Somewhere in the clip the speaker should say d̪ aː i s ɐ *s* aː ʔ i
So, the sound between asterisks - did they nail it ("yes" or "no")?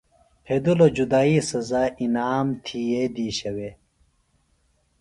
no